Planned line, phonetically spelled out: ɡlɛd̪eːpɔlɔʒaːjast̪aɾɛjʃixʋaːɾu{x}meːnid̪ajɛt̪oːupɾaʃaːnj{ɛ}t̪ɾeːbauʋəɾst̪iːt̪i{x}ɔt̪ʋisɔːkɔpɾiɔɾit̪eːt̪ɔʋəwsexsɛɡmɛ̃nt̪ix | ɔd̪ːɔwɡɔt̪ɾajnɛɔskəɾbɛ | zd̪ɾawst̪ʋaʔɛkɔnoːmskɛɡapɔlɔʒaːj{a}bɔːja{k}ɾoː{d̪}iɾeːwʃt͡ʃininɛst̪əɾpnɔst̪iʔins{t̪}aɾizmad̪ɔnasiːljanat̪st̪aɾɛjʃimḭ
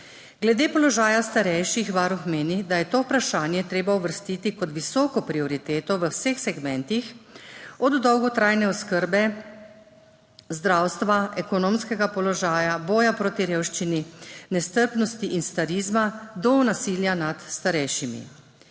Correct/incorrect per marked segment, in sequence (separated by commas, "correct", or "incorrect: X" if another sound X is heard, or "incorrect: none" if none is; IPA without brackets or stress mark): correct, correct, incorrect: k, correct, incorrect: p, incorrect: t̪, correct